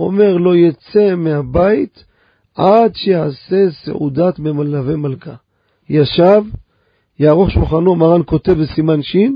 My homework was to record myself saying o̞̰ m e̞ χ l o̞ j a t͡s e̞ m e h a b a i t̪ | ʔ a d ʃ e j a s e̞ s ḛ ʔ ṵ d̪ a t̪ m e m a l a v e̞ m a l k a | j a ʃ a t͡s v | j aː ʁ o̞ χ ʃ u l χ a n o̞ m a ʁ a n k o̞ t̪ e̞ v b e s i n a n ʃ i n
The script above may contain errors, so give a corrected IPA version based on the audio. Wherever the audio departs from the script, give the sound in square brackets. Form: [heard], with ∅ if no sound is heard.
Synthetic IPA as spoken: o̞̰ m e̞ [ʁ] l o̞ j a t͡s e̞ m e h a b a i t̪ | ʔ a d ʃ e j a s e̞ s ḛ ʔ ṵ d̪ a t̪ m e m a l a v e̞ m a l k a | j a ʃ a [∅] v | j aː ʁ o̞ χ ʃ u l χ a n o̞ m a ʁ a n k o̞ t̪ e̞ v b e s i [m] a n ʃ i n